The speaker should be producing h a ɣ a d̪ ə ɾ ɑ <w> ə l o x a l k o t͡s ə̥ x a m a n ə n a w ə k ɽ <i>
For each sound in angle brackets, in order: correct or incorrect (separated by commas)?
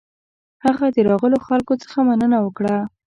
incorrect, incorrect